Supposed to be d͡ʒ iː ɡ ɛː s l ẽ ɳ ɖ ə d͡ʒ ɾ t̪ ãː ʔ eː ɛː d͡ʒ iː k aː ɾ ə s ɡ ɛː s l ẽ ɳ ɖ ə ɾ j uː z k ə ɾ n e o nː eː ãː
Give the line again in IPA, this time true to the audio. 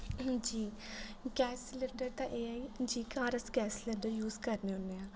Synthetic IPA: d͡ʒ iː ɡ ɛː s l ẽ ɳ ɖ ə ɾ t̪ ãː ʔ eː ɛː d͡ʒ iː k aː ɾ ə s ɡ ɛː s l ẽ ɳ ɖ ə ɾ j uː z k ə ɾ n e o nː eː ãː